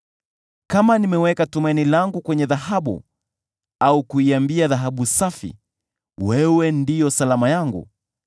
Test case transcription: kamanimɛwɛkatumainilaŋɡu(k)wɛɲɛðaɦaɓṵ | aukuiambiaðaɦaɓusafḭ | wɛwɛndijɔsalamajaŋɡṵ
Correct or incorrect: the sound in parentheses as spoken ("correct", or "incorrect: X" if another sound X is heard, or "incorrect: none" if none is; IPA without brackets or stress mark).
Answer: correct